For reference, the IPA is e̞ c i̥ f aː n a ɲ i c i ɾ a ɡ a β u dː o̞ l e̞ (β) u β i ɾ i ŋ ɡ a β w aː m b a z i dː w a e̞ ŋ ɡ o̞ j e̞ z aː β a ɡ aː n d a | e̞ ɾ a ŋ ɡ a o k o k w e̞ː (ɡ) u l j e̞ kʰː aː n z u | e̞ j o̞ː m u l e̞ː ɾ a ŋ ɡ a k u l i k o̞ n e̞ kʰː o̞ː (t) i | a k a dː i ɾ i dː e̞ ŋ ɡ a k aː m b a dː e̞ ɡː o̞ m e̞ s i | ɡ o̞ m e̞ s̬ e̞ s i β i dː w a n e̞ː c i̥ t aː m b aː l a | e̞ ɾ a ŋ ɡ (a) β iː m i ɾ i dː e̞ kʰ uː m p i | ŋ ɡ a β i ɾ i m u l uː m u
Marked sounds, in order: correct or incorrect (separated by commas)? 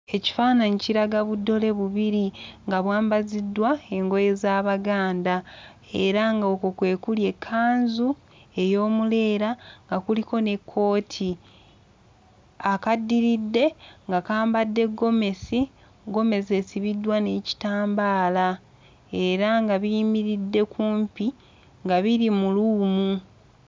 correct, incorrect, incorrect, correct